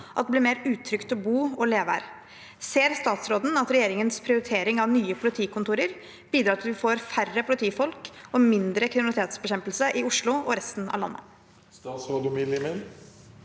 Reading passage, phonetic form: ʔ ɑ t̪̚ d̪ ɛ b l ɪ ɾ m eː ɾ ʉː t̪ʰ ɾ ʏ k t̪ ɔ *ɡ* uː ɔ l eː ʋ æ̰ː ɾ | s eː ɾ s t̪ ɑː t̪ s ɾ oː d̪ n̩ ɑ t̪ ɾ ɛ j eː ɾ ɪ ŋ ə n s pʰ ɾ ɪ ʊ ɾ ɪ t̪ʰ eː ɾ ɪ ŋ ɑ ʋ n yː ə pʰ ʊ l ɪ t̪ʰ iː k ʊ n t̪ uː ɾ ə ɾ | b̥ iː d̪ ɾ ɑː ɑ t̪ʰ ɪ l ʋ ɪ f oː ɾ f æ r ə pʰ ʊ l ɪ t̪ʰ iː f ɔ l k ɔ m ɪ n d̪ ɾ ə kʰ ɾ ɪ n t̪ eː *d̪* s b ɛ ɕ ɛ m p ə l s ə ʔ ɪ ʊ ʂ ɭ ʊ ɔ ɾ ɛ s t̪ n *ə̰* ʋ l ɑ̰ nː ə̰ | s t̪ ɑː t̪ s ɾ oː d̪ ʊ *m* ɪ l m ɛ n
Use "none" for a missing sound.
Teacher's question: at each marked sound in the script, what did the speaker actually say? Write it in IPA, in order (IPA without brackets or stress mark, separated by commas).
b, t̪, ɑ̰, m